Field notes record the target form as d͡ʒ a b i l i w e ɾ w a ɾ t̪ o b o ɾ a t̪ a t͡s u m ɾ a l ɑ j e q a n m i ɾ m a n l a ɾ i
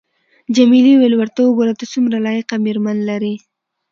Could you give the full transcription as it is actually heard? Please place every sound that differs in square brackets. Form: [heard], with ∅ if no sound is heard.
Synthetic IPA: d͡ʒ a [m] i l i w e [l] w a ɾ t̪ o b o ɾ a t̪ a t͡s u m ɾ a l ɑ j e q a [∅] m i ɾ m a n l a ɾ i

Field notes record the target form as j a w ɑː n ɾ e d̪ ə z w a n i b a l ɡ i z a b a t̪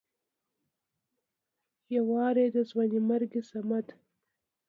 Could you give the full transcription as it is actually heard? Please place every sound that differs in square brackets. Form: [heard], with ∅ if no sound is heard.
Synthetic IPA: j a w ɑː [∅] ɾ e d̪ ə z w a n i [m] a [ɾ] ɡ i [s] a [m] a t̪

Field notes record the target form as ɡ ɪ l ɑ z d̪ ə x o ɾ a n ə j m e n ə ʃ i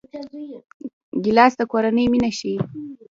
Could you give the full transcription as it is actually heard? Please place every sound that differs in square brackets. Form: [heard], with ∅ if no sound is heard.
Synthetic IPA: ɡ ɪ l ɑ [s] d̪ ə [k] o ɾ a n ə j m [i] n [a] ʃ i

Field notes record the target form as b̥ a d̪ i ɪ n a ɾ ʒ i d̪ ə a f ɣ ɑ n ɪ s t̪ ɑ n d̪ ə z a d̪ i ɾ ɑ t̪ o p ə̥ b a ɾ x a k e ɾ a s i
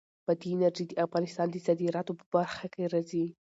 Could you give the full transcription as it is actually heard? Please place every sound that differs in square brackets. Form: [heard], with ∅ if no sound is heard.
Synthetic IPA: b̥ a d̪ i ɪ n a ɾ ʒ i d̪ ə a f ɣ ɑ n ɪ s t̪ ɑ n d̪ ə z a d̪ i ɾ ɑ t̪ o p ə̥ b a ɾ x a k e ɾ a [z] i

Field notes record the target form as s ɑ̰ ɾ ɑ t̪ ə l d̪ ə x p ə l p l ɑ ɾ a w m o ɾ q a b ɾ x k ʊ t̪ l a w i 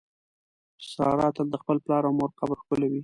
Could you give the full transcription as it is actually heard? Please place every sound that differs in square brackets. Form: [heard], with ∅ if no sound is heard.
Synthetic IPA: s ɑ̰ ɾ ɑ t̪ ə l d̪ ə x p ə l p l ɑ ɾ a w m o ɾ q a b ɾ x k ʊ [∅] l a w i

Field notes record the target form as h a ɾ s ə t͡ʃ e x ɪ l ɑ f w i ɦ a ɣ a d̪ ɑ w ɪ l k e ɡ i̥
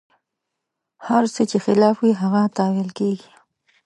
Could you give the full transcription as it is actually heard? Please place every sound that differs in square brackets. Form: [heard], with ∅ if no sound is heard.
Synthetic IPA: h a ɾ s ə t͡ʃ e x ɪ l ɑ f w i ɦ a ɣ a [t̪] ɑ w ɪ l k e ɡ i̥

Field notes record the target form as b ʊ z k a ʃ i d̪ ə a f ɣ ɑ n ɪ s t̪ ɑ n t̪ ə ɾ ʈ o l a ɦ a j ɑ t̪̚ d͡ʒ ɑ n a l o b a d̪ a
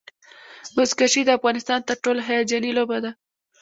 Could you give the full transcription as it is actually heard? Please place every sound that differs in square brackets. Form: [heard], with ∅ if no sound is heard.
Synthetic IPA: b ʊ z k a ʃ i d̪ ə a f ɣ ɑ n ɪ s t̪ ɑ n t̪ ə ɾ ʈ o l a ɦ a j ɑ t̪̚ d͡ʒ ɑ n [i] l o b a d̪ a

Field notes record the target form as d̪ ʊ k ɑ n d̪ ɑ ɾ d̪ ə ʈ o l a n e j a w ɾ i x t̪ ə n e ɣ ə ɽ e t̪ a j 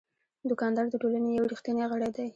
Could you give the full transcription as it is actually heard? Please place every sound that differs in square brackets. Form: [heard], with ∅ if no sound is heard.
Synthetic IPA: d̪ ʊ k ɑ n d̪ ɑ ɾ d̪ ə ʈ o l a n e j a w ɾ i x t̪ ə n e ɣ ə ɽ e [d̪] a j

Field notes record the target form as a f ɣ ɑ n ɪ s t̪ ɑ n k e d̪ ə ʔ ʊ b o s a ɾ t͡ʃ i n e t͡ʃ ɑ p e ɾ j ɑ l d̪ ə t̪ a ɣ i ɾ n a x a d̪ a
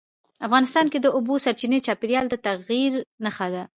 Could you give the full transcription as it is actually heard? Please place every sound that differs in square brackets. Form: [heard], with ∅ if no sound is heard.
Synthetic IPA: a f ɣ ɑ n ɪ s t̪ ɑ n k e d̪ ə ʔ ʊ b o s a ɾ t͡ʃ i n e t͡ʃ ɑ p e ɾ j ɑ l d̪ ə t̪ a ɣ i ɾ n a x a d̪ a

